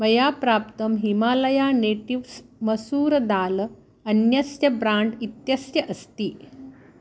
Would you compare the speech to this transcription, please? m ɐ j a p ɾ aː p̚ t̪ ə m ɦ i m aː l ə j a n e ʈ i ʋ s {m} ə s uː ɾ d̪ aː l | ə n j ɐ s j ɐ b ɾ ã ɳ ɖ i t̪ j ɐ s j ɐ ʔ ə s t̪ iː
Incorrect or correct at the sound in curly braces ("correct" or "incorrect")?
correct